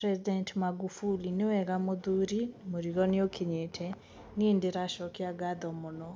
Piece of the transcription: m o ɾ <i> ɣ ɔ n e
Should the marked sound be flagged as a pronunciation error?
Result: no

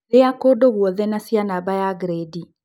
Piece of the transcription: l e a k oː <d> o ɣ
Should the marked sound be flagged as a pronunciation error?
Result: no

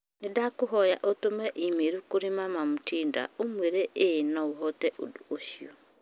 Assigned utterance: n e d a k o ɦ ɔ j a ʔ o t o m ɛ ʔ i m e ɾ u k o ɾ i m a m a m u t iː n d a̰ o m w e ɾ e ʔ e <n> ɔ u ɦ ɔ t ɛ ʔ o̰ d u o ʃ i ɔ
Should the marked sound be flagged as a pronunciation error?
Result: no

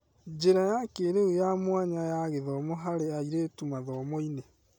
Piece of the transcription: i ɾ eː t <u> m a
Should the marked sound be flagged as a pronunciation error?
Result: no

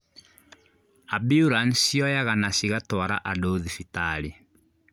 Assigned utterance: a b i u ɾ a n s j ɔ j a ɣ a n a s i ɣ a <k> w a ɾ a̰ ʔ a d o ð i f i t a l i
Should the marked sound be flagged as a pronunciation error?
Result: yes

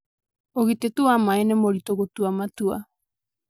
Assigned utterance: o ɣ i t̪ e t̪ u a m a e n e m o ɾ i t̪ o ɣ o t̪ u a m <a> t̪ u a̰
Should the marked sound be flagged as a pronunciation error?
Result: no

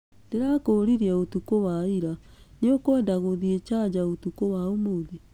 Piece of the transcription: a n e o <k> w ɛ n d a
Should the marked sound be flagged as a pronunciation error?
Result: no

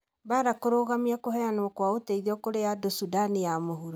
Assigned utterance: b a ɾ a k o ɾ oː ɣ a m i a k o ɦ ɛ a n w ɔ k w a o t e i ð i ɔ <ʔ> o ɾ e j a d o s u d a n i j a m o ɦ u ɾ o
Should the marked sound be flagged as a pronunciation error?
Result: yes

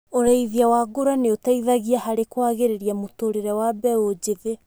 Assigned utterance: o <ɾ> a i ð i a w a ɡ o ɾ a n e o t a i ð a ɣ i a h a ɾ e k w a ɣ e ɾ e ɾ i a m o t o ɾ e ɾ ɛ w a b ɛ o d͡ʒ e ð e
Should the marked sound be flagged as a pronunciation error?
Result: no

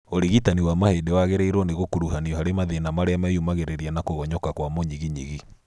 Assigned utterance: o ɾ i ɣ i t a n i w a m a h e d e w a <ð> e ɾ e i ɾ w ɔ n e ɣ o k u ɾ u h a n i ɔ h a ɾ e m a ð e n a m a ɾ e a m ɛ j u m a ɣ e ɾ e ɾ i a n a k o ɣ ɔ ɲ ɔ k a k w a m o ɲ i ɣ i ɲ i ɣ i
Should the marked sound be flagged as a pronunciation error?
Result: yes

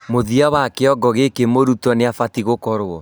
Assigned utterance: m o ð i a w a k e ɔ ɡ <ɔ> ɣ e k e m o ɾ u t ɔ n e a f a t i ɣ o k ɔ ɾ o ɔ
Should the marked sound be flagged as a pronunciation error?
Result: no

